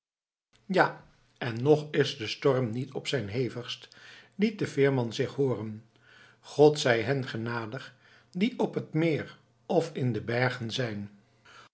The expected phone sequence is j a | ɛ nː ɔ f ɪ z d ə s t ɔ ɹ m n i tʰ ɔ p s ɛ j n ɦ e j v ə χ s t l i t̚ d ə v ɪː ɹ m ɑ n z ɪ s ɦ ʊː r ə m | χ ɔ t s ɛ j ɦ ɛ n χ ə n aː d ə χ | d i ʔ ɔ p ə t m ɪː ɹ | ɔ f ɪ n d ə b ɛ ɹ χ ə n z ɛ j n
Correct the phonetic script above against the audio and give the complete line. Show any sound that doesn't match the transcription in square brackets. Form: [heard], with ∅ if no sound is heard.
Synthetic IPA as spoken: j a | ɛ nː ɔ [χ] ɪ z d ə s t ɔ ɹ m n i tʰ ɔ p s ɛ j n ɦ e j v ə χ s t l i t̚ d ə v ɪː ɹ m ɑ n z ɪ [χ] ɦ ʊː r ə [n] | χ ɔ t s ɛ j ɦ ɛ n χ ə n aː d ə χ | d i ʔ ɔ p ə t m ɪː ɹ | ɔ f ɪ n d ə b ɛ ɹ χ ə n z ɛ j n